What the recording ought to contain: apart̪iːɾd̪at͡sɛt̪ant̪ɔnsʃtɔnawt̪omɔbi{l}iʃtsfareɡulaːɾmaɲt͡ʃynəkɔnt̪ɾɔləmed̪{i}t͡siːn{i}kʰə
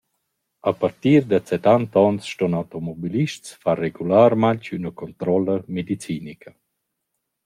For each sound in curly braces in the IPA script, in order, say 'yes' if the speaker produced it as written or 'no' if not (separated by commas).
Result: yes, yes, yes